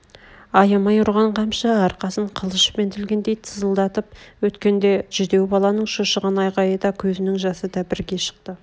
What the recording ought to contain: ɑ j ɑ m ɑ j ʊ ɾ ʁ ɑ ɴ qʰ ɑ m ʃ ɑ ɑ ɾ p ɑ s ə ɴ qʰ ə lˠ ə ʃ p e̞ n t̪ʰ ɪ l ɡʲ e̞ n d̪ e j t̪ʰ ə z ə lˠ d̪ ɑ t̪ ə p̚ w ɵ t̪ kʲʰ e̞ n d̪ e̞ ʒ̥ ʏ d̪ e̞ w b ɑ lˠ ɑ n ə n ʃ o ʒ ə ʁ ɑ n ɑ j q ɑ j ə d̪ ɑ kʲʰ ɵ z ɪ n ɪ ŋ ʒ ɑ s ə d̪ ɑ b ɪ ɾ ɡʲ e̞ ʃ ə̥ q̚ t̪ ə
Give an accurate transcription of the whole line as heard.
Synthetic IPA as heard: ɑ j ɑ m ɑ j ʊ ɾ ʁ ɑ ɴ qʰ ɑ m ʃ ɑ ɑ ɾ q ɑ s ə ɴ qʰ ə lˠ ə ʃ p e̞ n t̪ʰ ɪ l ɡʲ e̞ n d̪ e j t̪ʰ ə z ə lˠ d̪ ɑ t̪ ə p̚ w ɵ t̪ kʲ e̞ n d̪ e̞ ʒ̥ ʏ d̪ e̞ w b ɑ lˠ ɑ n ə ɴ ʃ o ʃ ə ʁ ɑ n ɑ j q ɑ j ə d̪ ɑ kʲʰ ɵ z ɪ n ɪ ŋ ʒ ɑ s ə d̪ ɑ b ɪ ɾ ɡʲ e̞ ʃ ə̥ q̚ t̪ ə